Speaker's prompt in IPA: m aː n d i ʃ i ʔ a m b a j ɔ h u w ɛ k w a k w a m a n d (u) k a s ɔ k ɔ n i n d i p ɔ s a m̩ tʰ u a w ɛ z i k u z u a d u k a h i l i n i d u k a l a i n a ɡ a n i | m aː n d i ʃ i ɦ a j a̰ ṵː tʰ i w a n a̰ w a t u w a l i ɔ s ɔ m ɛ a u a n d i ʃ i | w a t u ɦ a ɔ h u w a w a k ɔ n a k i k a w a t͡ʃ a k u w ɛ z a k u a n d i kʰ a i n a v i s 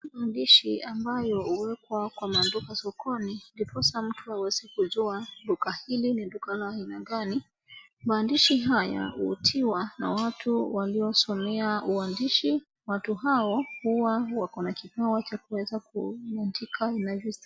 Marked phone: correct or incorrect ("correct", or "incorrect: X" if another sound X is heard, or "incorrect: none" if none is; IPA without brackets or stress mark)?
correct